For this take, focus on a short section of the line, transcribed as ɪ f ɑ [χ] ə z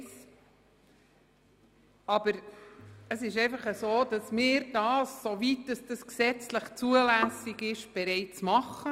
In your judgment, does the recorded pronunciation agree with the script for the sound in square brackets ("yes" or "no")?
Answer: yes